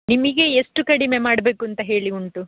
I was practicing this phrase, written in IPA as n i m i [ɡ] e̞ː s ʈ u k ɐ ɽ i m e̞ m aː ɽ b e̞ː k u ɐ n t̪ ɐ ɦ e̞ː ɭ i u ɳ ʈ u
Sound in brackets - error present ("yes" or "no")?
no